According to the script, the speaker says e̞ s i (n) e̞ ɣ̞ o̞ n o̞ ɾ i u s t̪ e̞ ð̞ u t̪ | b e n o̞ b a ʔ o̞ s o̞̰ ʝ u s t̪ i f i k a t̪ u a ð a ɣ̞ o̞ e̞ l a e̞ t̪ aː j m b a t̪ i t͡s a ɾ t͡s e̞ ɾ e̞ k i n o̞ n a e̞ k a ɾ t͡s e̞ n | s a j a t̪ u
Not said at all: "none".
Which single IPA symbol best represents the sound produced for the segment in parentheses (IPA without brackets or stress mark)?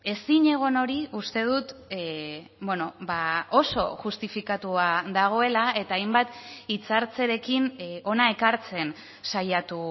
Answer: ɲ